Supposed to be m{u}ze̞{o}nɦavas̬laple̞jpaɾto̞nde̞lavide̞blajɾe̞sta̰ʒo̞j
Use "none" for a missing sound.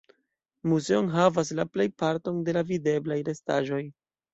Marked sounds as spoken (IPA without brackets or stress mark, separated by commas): u, o